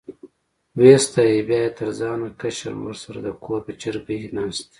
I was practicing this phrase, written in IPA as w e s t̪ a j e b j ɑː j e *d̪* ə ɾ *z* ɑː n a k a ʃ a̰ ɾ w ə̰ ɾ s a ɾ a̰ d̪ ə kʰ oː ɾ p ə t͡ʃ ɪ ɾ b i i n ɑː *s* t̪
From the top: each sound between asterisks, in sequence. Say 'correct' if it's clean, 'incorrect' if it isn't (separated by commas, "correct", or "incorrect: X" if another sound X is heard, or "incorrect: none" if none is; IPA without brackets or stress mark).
incorrect: t̪, correct, correct